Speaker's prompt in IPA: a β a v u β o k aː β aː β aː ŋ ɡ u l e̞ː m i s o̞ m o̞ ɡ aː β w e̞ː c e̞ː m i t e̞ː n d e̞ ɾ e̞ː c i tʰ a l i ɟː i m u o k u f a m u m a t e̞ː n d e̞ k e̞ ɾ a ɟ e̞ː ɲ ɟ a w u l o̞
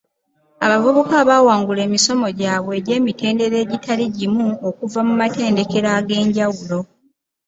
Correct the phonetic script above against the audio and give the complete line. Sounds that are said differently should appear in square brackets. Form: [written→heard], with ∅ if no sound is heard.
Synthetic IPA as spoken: a β a v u β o k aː β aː [β→w] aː ŋ ɡ u l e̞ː m i s o̞ m o̞ [ɡ→ɟ] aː β w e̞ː [c→ɟ] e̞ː m i t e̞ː n d e̞ ɾ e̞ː [c→ɟ] i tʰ a l i [ɟː→ɟ] i m u o k u [f→v] a m u m a t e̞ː n d e̞ k e̞ ɾ a [ɟ→ɡ] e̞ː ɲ ɟ a w u l o̞